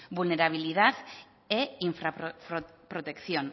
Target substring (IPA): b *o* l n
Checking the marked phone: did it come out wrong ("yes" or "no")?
yes